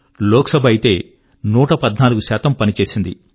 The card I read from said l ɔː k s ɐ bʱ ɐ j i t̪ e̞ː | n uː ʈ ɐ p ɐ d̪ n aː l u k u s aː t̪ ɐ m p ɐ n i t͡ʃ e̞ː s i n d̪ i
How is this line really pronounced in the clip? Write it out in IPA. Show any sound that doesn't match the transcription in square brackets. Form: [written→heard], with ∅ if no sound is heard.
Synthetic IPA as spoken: l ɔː k s ɐ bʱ ɐ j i t̪ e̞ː | n uː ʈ ɐ p ɐ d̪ n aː l u [k→ɡ] u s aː t̪ ɐ m p ɐ n i t͡ʃ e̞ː s i n d̪ i